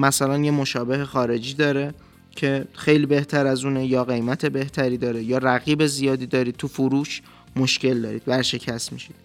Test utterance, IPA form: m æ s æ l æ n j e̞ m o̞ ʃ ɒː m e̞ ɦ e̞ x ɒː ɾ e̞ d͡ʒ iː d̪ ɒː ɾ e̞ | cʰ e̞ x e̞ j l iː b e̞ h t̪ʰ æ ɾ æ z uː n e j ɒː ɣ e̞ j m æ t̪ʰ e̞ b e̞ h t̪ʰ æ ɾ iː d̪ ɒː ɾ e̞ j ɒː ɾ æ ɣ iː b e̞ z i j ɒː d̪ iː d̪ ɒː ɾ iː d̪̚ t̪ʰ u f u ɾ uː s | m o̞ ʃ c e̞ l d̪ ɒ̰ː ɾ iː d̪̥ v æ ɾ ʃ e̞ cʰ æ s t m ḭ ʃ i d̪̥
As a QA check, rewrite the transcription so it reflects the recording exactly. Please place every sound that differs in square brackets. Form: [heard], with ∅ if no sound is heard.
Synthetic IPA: m æ s æ l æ n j e̞ m o̞ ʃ ɒː [b] e̞ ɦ e̞ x ɒː ɾ e̞ d͡ʒ iː d̪ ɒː ɾ e̞ | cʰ e̞ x e̞ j l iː b e̞ h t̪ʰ æ ɾ æ z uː n e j ɒː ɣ e̞ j m æ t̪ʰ e̞ b e̞ h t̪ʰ æ ɾ iː d̪ ɒː ɾ e̞ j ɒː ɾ æ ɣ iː b e̞ z i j ɒː d̪ iː d̪ ɒː ɾ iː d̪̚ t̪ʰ u f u ɾ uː [ʃ] | m o̞ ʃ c e̞ l d̪ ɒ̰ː ɾ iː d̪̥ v æ ɾ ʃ e̞ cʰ æ s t m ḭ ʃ i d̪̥